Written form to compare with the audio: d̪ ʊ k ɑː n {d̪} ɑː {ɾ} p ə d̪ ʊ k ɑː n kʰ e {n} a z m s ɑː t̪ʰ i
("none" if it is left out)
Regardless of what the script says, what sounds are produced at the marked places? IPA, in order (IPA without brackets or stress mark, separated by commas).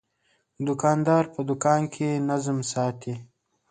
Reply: d̪, ɾ, n